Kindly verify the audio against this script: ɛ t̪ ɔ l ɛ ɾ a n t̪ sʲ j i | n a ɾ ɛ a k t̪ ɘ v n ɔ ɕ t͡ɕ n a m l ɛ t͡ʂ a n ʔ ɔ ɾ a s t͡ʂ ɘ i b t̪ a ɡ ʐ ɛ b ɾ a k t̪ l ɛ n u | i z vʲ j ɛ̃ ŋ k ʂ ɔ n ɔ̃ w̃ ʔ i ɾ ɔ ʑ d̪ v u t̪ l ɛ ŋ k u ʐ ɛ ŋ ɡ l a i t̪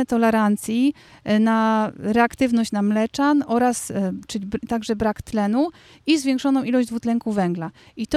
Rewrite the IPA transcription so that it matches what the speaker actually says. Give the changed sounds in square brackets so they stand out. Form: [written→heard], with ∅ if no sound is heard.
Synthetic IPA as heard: ɛ t̪ ɔ l ɛ ɾ a n t̪ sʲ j i | n a ɾ ɛ a k t̪ ɘ v n ɔ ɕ t͡ɕ n a m l ɛ t͡ʂ a n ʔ ɔ ɾ a s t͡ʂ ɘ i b t̪ a ɡ ʐ ɛ b ɾ a k t̪ l ɛ n u | i z vʲ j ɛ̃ ŋ k ʂ ɔ n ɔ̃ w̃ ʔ i [ɾ→l] ɔ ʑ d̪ v u t̪ l ɛ ŋ k u [ʐ→v] ɛ ŋ ɡ l a i t̪